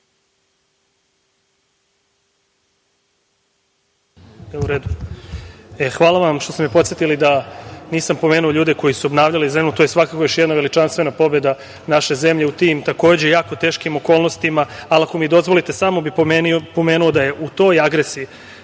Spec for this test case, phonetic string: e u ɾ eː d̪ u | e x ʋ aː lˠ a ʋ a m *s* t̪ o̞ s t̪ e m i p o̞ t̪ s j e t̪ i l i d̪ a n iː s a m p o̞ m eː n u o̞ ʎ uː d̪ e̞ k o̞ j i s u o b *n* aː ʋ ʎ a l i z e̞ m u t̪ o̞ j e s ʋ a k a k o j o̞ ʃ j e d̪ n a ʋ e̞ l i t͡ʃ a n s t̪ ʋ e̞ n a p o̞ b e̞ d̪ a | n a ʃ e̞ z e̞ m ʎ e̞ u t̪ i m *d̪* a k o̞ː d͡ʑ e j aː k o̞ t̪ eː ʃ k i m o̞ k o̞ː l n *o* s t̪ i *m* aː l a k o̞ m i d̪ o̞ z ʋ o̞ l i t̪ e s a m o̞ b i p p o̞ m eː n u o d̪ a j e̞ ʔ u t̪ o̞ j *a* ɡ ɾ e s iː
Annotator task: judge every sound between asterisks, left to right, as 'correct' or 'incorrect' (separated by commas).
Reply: incorrect, correct, incorrect, correct, correct, correct